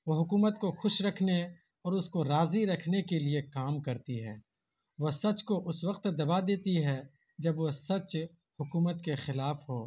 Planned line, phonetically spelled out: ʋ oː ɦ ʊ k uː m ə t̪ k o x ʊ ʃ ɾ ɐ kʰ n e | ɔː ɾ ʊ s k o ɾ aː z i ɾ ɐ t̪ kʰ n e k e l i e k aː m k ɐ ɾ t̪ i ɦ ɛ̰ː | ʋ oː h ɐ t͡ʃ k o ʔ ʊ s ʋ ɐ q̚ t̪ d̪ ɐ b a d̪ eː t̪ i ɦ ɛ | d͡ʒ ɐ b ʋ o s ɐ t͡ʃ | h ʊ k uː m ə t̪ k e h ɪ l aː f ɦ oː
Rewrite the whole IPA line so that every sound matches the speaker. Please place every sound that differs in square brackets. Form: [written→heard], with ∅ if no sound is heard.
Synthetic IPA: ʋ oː ɦ ʊ k uː m ə t̪ k o x ʊ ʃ ɾ ɐ kʰ n e | ɔː ɾ ʊ s k o ɾ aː z i ɾ ɐ [t̪→∅] kʰ n e k e l i e k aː m k ɐ ɾ t̪ i ɦ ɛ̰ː | ʋ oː [h→s] ɐ t͡ʃ k o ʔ ʊ s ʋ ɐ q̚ t̪ d̪ ɐ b a d̪ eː t̪ i ɦ ɛ | d͡ʒ ɐ b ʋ o s ɐ t͡ʃ | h ʊ k uː m ə t̪ k e [h→x] ɪ l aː f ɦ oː